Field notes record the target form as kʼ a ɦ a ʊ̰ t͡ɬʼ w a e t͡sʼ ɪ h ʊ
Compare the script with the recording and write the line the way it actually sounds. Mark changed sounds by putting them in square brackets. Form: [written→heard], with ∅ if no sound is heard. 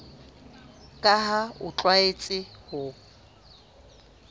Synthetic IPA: kʼ a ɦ a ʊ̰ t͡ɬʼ w a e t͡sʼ ɪ h ʊ